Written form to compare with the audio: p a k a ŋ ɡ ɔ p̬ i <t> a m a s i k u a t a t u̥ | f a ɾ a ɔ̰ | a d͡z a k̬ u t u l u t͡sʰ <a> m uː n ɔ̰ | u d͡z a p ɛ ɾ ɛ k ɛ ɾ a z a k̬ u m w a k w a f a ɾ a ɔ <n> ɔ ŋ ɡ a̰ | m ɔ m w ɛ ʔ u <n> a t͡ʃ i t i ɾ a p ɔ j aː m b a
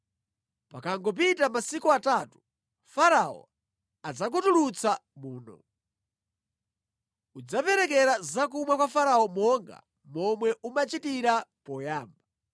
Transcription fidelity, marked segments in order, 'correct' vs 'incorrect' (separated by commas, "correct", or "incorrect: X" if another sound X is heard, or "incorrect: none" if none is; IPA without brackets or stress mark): correct, correct, incorrect: m, incorrect: m